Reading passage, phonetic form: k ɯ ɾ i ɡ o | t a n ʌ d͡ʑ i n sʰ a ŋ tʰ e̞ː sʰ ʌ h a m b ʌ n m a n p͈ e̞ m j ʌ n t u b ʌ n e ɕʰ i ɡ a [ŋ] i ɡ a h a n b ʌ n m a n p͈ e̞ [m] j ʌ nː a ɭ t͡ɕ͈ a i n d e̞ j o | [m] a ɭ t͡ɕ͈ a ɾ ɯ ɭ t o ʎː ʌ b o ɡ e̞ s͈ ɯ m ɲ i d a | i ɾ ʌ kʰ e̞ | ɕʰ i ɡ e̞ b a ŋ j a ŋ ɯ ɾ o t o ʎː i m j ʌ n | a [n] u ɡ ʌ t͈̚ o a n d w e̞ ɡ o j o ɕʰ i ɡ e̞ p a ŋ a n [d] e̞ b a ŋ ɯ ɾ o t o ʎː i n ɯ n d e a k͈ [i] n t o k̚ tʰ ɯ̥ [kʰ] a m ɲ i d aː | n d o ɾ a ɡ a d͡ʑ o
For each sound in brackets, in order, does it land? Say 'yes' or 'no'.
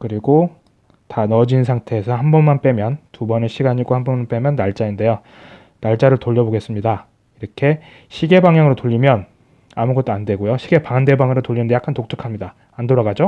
no, yes, no, no, yes, no, yes

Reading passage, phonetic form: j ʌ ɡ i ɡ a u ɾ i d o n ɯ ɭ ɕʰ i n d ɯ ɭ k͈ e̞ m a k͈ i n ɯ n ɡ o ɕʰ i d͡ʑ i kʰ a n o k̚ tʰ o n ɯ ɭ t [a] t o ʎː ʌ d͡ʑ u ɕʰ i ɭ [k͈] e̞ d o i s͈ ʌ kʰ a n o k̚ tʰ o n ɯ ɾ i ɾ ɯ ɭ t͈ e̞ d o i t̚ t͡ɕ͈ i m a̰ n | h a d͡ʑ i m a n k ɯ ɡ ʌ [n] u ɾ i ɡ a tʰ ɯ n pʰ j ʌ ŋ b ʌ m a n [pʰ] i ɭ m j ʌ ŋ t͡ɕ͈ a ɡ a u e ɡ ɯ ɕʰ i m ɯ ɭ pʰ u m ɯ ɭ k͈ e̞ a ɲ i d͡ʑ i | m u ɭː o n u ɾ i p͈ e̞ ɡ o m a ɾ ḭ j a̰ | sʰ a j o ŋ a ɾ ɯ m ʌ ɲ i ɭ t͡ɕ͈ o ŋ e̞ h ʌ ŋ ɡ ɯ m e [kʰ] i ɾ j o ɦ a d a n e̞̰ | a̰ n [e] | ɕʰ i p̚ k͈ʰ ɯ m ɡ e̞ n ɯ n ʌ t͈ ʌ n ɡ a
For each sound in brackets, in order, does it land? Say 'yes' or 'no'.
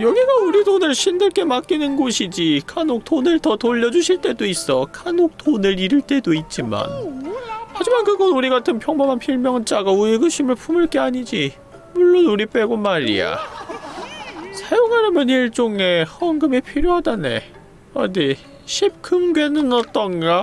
no, no, yes, yes, no, yes

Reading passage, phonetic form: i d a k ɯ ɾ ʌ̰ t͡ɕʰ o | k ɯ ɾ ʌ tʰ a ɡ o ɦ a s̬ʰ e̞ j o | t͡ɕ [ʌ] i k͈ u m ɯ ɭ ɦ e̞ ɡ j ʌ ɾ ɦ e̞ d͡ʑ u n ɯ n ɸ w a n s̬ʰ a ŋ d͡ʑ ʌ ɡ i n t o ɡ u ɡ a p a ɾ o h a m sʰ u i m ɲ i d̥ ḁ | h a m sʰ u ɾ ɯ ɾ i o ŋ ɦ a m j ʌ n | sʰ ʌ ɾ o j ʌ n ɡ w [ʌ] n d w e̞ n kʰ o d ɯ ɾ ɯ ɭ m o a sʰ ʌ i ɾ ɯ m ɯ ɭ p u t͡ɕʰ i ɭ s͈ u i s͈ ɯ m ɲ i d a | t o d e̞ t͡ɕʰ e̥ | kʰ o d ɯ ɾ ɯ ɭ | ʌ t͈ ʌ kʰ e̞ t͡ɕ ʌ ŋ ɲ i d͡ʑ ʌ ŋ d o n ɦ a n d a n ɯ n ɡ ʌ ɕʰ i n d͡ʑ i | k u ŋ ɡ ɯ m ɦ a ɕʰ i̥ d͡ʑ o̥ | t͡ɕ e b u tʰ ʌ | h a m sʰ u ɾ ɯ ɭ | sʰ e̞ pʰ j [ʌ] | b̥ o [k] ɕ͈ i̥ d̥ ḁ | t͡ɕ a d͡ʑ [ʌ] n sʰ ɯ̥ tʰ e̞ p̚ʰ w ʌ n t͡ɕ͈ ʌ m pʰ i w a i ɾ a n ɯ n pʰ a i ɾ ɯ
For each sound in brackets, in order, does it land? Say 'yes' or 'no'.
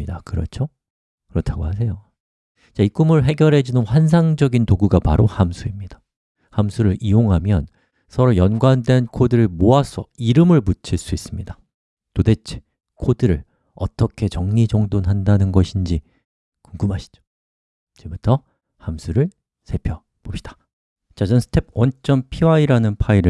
no, no, yes, no, yes

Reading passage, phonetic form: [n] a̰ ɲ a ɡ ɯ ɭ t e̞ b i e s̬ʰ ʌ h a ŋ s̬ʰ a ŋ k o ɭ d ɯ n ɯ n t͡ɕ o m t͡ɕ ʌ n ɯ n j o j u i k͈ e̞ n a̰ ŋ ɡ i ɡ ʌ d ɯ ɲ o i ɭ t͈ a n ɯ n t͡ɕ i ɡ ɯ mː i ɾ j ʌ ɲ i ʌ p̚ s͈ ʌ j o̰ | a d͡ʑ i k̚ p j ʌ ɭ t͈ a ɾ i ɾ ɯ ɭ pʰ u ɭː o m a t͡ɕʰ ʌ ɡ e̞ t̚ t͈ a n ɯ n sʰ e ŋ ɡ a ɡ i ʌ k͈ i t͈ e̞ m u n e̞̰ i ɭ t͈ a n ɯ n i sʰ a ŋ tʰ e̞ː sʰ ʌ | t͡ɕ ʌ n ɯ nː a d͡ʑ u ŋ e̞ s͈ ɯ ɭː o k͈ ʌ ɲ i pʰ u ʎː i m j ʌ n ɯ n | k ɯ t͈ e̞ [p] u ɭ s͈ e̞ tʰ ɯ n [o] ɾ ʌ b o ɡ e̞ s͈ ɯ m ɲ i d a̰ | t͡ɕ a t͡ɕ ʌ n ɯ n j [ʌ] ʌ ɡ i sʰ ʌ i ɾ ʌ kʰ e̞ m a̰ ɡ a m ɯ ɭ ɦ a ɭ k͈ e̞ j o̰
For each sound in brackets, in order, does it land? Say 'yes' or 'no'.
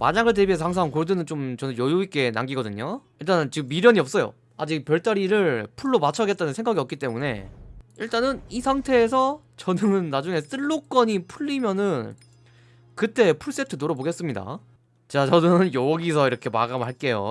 no, no, yes, yes

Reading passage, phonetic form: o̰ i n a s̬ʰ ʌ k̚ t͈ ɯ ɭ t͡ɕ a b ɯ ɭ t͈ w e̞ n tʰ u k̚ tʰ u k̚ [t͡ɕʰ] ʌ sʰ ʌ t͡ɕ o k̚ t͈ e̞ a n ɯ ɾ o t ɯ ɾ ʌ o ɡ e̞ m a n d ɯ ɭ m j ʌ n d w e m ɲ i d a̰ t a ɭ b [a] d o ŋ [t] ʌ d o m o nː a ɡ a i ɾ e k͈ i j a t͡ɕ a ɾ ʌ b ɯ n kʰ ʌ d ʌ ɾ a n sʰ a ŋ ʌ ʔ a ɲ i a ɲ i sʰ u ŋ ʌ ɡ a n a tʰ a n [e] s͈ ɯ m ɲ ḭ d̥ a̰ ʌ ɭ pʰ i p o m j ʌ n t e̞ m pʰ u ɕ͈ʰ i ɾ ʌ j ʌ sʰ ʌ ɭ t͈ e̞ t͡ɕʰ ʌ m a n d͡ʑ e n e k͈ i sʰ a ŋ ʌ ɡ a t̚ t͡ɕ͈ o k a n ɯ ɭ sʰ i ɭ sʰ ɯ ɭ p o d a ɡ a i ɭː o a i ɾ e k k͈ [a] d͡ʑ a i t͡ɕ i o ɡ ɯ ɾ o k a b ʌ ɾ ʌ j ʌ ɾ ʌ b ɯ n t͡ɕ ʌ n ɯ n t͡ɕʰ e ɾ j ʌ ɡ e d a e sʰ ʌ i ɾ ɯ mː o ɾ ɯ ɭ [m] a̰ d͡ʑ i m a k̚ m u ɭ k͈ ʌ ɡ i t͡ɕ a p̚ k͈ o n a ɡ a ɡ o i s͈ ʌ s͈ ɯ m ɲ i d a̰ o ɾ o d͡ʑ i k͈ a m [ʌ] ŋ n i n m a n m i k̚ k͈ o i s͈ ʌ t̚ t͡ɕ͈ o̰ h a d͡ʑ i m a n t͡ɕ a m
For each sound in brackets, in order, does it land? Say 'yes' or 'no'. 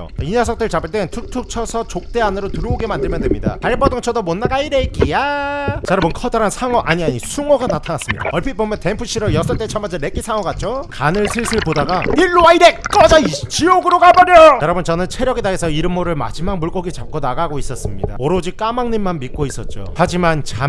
yes, no, no, no, no, yes, no

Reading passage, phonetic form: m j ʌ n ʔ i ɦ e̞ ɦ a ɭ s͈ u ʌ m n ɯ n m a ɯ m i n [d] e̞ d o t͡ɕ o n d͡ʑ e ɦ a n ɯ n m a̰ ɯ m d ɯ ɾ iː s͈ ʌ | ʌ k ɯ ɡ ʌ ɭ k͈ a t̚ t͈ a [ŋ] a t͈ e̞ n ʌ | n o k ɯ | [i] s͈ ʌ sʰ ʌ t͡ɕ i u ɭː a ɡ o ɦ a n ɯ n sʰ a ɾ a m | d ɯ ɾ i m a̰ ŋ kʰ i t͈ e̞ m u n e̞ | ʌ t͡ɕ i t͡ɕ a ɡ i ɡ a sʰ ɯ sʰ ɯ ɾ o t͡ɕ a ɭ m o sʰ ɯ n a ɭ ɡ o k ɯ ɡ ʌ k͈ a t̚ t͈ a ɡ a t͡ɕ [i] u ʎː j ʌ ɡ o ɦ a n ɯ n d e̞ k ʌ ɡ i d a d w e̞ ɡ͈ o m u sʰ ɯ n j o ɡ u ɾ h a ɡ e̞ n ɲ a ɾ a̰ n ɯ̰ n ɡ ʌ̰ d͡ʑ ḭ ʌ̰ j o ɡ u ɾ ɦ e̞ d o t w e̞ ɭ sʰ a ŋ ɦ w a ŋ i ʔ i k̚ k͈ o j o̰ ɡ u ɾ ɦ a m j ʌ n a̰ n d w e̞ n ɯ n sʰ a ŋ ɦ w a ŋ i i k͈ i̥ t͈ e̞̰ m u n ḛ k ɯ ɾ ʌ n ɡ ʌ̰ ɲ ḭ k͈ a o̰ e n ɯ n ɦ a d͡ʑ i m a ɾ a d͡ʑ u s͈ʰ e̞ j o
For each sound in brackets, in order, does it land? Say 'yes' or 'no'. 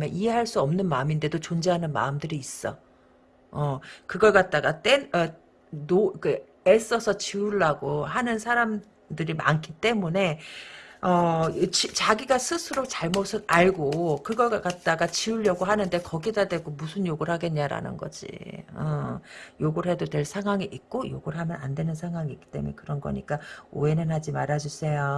yes, no, no, yes

